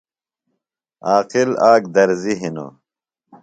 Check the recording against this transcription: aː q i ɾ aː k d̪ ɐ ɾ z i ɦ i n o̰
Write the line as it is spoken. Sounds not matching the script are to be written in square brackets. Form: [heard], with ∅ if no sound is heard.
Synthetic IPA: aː q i [l] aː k d̪ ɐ ɾ z i ɦ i n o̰

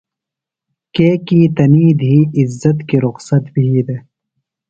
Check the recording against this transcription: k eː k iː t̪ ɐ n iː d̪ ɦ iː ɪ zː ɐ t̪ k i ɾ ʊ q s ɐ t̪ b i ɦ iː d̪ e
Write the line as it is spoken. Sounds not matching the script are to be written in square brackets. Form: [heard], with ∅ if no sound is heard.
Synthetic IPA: k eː k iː t̪ ɐ n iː d̪ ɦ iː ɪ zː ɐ t̪ k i ɾ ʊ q s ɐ t̪ b i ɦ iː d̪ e

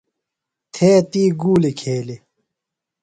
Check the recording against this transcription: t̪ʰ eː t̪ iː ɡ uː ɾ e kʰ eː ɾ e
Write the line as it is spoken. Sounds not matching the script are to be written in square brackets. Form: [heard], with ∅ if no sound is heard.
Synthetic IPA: t̪ʰ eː t̪ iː ɡ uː [l] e kʰ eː [l] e

